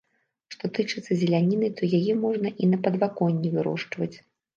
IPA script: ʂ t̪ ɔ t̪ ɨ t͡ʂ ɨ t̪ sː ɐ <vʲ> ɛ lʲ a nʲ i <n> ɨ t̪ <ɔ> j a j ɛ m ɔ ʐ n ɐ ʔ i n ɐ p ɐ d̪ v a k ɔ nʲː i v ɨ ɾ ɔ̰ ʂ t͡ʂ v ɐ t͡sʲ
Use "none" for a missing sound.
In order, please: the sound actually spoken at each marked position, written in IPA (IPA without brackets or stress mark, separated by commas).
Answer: zʲ, n, ɔ